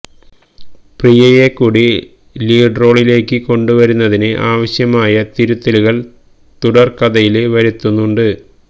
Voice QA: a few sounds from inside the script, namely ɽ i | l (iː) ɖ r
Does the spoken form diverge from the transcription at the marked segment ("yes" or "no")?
no